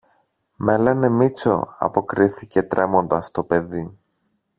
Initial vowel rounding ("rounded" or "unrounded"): unrounded